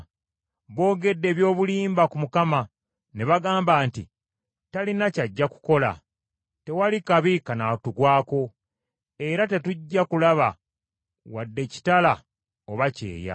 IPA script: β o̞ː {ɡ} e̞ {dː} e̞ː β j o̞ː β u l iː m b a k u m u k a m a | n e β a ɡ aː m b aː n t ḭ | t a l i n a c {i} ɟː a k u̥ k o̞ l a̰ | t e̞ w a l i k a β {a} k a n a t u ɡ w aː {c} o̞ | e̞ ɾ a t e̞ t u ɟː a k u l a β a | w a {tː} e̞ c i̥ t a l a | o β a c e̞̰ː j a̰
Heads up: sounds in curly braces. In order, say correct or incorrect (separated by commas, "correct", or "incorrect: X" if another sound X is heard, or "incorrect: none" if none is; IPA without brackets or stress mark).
correct, correct, incorrect: a, incorrect: i, incorrect: k, incorrect: dː